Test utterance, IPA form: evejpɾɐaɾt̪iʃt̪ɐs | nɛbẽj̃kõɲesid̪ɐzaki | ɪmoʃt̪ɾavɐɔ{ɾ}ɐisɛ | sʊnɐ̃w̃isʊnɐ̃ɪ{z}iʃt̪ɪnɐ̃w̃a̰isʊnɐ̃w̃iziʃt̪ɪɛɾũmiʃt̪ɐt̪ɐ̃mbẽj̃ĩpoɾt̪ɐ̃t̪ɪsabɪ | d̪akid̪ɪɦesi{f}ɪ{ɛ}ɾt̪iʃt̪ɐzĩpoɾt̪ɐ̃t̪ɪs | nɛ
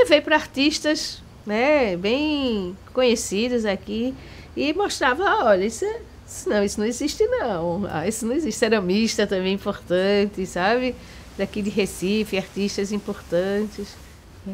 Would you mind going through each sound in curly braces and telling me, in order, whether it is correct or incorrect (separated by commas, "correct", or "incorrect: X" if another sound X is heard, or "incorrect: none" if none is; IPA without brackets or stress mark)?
incorrect: ʎ, correct, correct, incorrect: a